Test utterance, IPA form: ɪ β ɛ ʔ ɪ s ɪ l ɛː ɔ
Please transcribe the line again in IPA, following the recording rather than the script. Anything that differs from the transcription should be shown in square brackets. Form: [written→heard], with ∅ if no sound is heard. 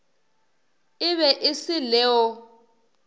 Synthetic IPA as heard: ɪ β ɛ ʔ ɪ s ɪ l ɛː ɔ